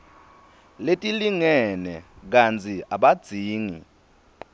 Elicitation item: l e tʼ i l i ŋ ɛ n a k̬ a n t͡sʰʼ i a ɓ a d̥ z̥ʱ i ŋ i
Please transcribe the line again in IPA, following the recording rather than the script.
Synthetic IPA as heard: l e tʼ i l i ŋ ɛ n ɛ k̬ a n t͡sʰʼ i a ɓ a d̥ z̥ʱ iː ŋ i